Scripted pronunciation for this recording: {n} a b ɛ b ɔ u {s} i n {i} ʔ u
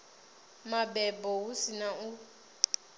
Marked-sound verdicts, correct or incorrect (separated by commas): incorrect, correct, incorrect